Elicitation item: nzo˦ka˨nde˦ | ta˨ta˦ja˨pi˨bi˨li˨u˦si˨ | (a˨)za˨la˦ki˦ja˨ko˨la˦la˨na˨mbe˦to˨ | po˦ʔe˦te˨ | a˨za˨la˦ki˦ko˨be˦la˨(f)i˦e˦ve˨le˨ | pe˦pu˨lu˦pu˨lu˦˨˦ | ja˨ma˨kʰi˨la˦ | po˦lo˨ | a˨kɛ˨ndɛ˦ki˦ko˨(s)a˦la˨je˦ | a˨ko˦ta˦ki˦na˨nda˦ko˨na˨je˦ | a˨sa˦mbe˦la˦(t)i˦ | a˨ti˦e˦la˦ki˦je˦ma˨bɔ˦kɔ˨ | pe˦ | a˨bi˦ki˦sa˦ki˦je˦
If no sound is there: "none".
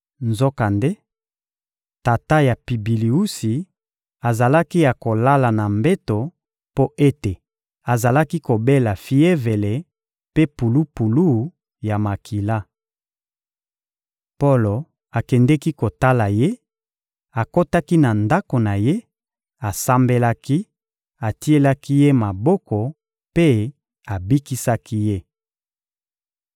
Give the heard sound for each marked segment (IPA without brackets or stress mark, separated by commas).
a˨, f, t, k